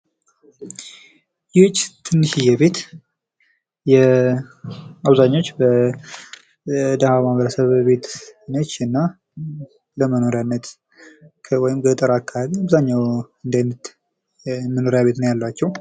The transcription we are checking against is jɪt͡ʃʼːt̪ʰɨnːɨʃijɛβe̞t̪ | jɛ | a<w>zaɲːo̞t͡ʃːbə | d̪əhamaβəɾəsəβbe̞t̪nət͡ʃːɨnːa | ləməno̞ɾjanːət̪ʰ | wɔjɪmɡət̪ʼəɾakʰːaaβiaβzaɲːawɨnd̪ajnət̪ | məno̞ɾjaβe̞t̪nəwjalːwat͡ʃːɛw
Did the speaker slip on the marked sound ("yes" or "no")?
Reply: yes